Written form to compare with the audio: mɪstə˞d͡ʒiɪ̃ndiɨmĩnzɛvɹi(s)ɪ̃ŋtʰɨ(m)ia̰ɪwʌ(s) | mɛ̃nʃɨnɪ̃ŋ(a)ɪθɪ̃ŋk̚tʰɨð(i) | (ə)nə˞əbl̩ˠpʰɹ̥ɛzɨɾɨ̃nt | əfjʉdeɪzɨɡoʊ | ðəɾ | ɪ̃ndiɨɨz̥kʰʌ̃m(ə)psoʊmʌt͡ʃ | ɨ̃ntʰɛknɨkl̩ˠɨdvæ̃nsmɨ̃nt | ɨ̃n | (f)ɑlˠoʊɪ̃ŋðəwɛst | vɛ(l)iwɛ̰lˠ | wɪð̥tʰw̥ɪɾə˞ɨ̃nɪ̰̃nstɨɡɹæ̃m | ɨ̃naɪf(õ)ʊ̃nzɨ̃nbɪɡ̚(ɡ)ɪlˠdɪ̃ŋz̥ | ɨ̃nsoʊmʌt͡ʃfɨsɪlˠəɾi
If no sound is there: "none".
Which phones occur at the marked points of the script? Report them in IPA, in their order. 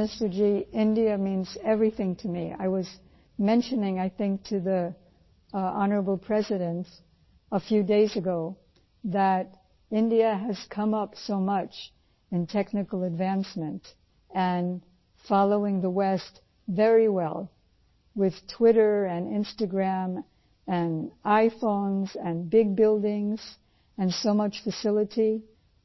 θ, m, z, a, i, ɑ, ʌ, f, ɹ, õ, b

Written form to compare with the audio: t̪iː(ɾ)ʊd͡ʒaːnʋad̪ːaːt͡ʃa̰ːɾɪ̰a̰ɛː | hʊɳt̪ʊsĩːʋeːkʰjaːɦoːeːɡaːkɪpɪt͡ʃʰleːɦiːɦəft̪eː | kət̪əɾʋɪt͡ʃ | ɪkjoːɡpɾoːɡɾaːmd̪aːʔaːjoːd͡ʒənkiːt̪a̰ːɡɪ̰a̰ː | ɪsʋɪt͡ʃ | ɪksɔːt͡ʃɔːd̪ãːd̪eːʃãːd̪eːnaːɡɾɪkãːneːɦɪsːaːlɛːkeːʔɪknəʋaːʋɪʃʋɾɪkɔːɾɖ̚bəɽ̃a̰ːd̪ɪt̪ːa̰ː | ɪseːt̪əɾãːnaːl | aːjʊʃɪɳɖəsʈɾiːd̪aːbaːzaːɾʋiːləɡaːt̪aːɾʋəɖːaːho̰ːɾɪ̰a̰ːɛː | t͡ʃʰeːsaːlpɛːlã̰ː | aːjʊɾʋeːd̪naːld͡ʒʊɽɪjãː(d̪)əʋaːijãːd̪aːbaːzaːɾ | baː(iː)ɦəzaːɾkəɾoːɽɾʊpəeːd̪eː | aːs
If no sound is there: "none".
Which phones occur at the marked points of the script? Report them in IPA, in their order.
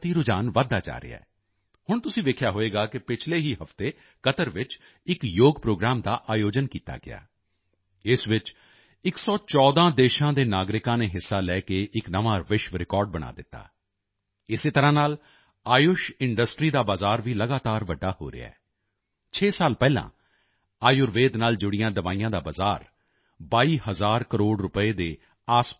ɾ, d̪, iː

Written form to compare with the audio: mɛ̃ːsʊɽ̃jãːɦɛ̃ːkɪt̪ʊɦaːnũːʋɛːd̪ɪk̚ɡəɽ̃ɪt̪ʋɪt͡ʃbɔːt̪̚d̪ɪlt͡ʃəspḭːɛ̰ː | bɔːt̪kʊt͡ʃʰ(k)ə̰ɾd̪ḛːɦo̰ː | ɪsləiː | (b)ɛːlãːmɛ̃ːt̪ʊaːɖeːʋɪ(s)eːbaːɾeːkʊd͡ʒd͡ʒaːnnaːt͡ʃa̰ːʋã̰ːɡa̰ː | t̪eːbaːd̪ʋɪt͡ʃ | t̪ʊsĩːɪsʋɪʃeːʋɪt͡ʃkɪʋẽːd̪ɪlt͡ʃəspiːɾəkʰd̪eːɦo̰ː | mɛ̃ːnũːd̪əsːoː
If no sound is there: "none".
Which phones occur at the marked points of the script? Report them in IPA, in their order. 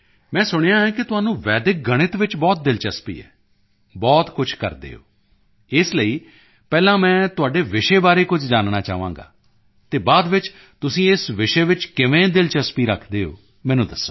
k, p, ʃ

